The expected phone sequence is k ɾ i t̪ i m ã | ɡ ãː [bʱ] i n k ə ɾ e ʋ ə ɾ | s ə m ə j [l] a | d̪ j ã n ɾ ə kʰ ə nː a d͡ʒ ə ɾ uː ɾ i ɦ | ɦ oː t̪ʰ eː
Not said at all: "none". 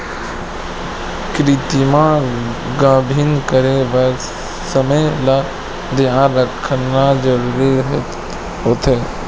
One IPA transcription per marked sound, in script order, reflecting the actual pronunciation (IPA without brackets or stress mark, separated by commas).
bʱ, l